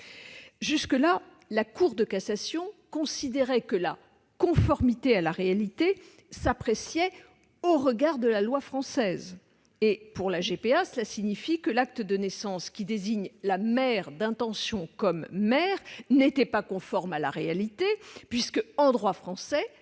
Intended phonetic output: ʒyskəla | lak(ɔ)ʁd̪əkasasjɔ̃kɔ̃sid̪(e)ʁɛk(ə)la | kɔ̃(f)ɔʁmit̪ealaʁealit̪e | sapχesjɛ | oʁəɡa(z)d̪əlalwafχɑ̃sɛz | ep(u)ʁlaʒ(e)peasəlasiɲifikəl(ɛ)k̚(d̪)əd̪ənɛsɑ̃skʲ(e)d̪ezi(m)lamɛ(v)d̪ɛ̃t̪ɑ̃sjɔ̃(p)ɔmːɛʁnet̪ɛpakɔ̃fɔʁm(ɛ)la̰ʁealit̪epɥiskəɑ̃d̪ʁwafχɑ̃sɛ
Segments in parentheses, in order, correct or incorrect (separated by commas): incorrect, correct, correct, correct, incorrect, correct, correct, incorrect, incorrect, incorrect, incorrect, incorrect, incorrect, incorrect